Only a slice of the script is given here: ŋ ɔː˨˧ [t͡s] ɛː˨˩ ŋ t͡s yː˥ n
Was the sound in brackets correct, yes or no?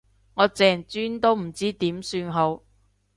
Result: yes